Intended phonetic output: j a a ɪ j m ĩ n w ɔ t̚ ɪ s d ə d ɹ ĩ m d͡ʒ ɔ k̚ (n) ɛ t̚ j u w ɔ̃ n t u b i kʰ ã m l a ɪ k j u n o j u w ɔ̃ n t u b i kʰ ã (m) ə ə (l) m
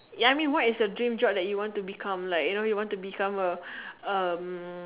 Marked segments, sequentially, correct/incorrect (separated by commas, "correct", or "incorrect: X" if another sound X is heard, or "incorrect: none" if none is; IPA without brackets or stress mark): incorrect: d, correct, incorrect: none